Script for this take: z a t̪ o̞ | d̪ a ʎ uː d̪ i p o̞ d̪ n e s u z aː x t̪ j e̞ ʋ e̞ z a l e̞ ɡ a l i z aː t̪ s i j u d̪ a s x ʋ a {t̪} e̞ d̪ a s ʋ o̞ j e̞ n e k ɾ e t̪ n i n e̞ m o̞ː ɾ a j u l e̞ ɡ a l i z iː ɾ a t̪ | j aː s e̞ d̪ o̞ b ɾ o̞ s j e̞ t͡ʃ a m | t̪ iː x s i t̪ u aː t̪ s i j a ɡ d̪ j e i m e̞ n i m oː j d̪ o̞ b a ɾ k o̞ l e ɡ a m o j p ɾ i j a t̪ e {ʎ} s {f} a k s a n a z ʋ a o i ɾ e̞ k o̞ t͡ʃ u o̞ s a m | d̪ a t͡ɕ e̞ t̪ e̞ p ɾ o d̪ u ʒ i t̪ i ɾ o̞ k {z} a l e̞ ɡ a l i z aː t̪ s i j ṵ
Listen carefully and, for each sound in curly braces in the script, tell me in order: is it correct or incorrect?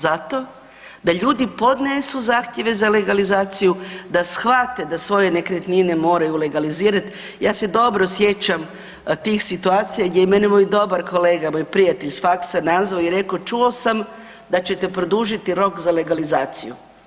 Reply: correct, correct, correct, correct

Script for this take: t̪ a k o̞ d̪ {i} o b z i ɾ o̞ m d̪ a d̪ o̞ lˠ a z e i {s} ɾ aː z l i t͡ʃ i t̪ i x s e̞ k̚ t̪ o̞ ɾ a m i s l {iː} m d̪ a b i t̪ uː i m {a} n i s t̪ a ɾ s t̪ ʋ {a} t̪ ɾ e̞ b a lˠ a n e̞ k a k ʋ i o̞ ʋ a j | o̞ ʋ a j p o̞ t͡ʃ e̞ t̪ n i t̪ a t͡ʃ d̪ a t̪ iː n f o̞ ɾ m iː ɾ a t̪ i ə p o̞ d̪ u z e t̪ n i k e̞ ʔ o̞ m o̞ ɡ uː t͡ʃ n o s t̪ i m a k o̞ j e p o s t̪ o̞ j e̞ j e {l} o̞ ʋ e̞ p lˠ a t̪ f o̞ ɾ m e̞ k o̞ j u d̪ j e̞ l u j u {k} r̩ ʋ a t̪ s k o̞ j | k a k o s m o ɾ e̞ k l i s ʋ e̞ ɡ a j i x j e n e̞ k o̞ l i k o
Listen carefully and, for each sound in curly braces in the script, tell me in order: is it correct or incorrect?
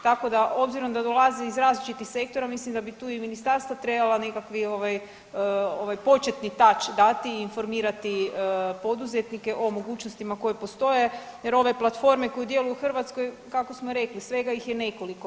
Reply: incorrect: a, incorrect: z, incorrect: i, incorrect: i, correct, incorrect: ɾ, incorrect: x

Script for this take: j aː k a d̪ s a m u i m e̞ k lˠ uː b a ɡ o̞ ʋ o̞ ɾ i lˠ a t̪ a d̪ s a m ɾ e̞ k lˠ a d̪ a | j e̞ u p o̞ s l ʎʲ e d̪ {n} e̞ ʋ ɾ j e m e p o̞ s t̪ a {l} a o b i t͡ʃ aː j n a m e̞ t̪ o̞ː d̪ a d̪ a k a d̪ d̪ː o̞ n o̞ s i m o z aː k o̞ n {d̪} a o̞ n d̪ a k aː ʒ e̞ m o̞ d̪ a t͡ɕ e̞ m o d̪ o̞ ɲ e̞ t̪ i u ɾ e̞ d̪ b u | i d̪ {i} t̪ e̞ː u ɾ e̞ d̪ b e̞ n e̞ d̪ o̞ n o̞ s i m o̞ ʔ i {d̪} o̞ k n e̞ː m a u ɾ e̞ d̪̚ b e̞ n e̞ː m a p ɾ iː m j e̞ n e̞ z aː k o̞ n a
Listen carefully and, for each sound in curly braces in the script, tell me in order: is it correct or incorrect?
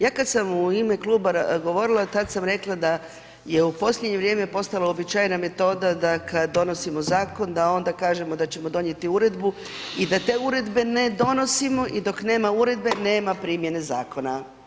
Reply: incorrect: ɲ, correct, correct, incorrect: a, correct

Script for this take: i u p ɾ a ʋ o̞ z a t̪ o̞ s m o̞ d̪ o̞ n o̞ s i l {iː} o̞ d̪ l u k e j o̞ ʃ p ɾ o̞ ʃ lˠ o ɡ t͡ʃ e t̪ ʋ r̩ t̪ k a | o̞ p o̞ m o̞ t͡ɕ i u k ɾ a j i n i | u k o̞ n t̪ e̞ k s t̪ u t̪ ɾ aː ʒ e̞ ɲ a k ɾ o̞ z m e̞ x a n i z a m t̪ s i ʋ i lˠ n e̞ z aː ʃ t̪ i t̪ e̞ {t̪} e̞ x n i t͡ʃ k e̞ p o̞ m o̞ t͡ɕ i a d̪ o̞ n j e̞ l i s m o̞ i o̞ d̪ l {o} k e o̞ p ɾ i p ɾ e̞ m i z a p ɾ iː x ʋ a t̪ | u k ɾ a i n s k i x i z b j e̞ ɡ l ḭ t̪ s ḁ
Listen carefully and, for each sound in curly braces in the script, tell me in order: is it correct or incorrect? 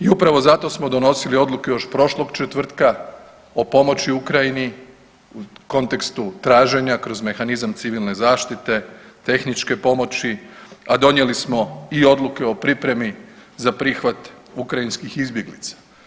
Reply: incorrect: i, correct, incorrect: u

